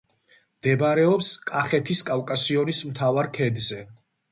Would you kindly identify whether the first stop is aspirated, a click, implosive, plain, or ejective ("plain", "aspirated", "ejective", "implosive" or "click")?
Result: plain